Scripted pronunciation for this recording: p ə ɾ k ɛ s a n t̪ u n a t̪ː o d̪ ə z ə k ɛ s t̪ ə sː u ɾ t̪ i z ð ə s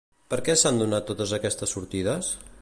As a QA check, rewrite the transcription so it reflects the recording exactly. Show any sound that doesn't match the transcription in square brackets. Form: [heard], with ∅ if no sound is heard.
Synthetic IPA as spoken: p ə ɾ k ɛ s a n [d̪] u n a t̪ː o [t̪] ə z ə k ɛ s t̪ ə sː u ɾ t̪ i [∅] ð ə s